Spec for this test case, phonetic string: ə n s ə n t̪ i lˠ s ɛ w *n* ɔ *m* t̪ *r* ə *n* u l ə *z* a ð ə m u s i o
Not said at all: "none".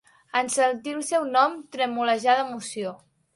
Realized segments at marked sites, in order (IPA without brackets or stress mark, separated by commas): n, m, ɾ, m, ʒ